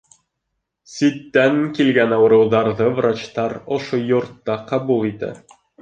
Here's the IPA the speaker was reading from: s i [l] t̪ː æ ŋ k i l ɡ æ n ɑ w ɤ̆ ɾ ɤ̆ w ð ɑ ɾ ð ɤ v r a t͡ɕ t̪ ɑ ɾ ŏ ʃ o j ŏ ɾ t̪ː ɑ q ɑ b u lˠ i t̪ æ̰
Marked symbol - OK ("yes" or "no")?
no